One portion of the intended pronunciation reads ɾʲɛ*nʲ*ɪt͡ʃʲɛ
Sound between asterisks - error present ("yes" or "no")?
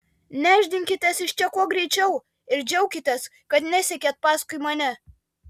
yes